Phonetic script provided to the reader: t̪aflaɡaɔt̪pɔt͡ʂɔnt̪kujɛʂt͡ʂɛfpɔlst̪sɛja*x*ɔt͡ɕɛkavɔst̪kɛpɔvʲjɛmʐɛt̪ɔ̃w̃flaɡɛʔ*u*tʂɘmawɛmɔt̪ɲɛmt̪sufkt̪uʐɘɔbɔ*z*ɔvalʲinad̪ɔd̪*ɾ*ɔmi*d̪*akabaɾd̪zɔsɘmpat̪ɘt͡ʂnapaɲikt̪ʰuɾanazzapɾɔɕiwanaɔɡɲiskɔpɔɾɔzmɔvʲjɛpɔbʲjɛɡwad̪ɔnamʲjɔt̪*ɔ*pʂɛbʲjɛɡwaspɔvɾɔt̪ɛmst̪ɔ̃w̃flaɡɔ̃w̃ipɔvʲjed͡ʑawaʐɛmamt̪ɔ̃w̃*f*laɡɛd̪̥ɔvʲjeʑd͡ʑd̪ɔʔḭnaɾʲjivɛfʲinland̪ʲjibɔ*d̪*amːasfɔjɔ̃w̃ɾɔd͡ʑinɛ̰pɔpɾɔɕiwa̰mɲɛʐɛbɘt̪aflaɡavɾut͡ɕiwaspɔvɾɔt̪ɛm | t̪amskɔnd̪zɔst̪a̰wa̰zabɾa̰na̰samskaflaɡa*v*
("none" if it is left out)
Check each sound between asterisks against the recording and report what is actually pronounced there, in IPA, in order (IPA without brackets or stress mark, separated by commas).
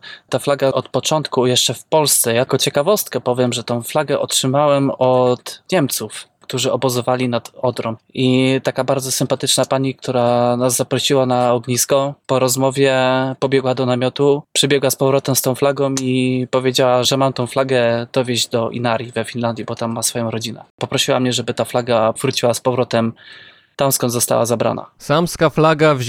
k, ɔ, z, ɾ, t̪, u, f, t̪, v